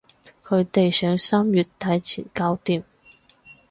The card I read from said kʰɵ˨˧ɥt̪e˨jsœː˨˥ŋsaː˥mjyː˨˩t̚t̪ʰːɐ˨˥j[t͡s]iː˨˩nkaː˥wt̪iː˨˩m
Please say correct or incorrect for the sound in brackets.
incorrect: t͡sʰ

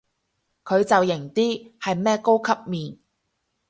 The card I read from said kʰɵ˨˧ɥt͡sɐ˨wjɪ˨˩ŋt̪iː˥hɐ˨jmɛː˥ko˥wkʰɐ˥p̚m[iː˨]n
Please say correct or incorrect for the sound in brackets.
correct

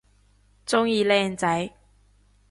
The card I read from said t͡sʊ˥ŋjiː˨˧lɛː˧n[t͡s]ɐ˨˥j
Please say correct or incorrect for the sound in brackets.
correct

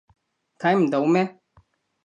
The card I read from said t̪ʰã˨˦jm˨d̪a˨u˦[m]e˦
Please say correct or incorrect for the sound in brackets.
correct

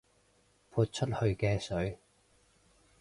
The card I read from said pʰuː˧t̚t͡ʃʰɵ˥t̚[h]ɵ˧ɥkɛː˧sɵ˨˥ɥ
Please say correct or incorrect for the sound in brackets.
correct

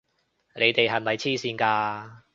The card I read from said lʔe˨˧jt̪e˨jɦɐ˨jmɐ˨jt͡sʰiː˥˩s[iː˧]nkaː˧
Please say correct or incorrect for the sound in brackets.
correct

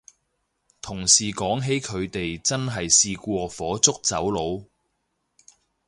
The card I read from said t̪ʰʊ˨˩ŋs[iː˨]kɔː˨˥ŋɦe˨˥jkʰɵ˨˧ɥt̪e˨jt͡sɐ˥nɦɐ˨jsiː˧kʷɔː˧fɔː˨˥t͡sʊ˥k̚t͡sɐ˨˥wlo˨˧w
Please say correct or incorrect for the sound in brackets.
correct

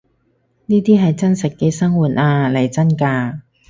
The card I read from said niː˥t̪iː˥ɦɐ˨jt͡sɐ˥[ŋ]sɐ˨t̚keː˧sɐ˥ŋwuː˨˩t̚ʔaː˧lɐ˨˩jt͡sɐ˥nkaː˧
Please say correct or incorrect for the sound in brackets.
incorrect: n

